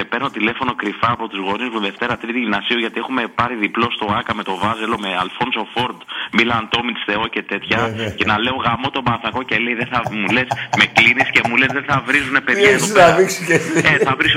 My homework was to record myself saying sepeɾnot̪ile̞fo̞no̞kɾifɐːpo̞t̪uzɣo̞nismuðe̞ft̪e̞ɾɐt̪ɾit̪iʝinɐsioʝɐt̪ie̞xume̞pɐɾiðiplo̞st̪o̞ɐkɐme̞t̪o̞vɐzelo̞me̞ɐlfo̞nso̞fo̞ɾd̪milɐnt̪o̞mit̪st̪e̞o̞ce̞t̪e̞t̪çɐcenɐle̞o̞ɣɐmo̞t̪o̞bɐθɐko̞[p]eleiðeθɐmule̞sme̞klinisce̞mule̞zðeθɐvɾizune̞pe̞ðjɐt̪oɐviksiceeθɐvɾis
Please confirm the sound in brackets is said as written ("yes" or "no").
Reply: no